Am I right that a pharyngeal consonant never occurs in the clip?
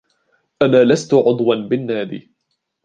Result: no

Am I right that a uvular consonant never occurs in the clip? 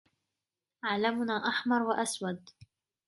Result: yes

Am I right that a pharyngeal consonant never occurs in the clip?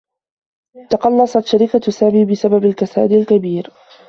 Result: yes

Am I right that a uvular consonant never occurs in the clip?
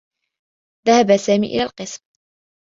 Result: no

